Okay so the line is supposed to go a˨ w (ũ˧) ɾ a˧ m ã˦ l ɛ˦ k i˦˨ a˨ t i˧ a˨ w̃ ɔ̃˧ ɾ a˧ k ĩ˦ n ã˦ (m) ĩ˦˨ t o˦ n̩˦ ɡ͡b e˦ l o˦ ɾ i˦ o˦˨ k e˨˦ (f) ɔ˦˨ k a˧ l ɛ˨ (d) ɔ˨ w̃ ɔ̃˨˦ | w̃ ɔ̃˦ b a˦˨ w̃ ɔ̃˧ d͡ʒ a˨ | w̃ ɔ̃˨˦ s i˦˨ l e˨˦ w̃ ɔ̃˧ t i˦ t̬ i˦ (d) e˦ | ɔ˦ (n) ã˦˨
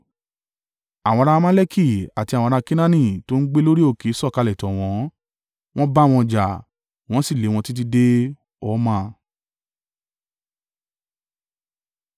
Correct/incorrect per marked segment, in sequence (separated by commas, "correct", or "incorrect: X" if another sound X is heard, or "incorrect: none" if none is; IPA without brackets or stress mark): incorrect: ɔ̃˧, incorrect: n, incorrect: s, incorrect: t, correct, incorrect: m